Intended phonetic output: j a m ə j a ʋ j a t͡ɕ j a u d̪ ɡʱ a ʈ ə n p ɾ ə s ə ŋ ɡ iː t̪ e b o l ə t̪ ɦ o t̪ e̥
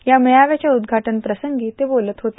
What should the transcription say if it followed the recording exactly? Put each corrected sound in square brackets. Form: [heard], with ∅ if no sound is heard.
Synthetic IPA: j a m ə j a ʋ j a t͡ɕ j a u d̪ ɡʱ a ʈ ə n p ɾ ə s ə ŋ ɡ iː t̪ e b o l ə t̪ ɦ o t̪ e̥